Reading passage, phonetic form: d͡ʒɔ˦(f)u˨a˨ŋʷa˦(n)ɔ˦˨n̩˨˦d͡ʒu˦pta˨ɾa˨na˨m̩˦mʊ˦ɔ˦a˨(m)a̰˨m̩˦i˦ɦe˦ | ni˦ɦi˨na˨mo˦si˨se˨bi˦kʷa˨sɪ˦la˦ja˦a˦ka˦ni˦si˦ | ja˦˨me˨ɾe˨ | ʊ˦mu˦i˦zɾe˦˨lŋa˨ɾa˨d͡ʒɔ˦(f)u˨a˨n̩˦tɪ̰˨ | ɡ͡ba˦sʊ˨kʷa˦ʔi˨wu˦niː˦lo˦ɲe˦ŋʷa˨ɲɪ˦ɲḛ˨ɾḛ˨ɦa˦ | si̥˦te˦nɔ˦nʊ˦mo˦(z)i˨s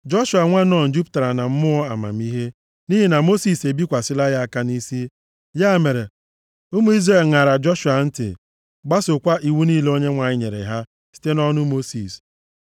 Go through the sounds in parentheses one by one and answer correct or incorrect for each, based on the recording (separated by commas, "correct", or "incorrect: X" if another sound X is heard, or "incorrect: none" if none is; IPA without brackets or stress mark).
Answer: incorrect: ʃ, correct, correct, incorrect: ʃ, incorrect: s